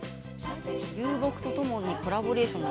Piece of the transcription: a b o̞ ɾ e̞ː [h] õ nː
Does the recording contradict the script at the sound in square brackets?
yes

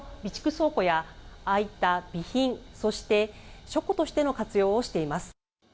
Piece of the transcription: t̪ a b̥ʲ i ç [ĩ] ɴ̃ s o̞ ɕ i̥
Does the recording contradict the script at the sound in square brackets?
no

